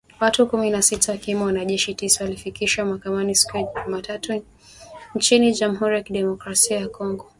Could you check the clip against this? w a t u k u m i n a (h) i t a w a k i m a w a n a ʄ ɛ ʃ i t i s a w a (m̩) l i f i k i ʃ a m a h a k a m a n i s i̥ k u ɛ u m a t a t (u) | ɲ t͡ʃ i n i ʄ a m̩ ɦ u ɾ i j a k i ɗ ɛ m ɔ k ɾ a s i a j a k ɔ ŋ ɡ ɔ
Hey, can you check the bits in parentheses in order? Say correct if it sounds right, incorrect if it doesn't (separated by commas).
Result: incorrect, incorrect, correct